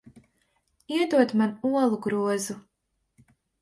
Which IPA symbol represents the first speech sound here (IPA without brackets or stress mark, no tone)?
i